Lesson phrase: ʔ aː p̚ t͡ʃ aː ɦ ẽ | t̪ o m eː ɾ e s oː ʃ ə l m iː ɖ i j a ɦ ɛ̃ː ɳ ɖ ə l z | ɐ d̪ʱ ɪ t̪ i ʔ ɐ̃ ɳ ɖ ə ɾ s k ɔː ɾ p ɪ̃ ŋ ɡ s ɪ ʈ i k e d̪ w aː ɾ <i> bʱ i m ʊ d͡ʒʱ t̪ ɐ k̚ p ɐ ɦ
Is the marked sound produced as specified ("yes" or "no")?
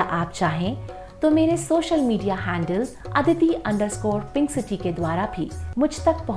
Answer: no